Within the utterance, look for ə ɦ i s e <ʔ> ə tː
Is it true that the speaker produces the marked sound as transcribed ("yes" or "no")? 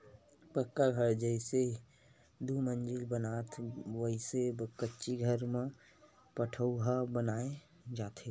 no